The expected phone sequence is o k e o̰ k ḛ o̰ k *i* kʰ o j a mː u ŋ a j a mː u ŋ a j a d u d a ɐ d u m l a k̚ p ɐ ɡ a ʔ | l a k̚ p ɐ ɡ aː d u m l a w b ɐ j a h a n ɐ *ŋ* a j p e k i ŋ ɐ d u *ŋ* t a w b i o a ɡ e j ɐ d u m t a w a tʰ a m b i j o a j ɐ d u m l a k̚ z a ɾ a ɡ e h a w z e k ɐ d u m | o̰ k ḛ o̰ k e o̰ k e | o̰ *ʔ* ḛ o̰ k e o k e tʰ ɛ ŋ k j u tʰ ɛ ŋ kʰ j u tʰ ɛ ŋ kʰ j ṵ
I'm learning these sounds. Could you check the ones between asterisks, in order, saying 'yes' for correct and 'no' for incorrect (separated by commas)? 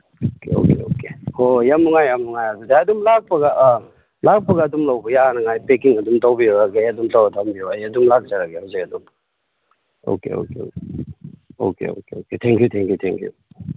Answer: no, yes, no, no